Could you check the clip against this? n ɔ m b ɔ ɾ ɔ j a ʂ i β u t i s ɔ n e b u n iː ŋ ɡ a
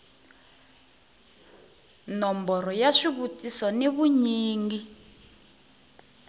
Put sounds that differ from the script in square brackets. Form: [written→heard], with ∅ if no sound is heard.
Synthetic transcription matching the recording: n ɔ m b ɔ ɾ ɔ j a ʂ i β u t i s ɔ n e [b→β] u [n→ɲ] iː ŋ ɡ [a→i]